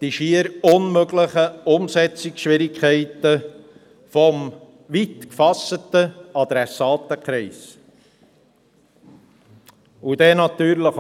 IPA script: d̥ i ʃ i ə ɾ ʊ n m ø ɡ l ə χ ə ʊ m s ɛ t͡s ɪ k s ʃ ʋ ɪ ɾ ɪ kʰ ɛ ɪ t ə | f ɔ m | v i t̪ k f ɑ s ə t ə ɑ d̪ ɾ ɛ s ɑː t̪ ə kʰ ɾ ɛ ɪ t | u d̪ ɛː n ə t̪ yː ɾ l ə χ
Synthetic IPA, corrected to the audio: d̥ i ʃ i ə ɾ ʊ n m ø ɡ l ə χ ə ʊ m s ɛ t͡s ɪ k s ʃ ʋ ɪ ɾ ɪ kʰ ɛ ɪ t ə | f ɔ m | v i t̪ k f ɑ s ə t ə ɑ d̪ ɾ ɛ s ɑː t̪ ə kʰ ɾ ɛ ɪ s | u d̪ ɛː n ɑ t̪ yː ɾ l ə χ